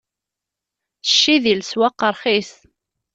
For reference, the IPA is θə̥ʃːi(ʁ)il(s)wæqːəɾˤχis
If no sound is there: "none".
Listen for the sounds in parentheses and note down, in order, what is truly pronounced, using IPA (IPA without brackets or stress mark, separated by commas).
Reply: ð, s